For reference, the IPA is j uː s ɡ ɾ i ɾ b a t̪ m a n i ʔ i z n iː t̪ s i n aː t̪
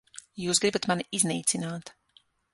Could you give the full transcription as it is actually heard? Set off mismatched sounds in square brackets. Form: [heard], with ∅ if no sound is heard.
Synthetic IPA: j uː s ɡ ɾ i [∅] b a t̪ m a n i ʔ i z n iː t̪ s i n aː t̪